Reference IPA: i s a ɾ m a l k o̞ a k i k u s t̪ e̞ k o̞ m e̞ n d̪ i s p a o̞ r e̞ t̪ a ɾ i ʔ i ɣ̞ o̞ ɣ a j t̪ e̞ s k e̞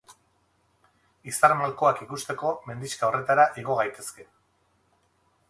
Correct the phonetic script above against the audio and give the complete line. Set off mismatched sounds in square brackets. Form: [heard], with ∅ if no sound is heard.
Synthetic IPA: i s a ɾ m a l k o̞ a k i k u s t̪ e̞ k o̞ m e̞ n d̪ i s [k] a o̞ r e̞ t̪ a ɾ [a] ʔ i ɣ̞ o̞ ɣ a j t̪ e̞ s k e̞